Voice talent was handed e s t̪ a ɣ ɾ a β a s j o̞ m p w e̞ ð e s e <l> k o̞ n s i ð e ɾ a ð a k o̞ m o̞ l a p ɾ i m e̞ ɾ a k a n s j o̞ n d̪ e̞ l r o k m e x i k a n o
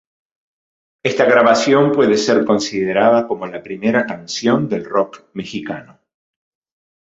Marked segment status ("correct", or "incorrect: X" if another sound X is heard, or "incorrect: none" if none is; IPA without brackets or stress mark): incorrect: ɾ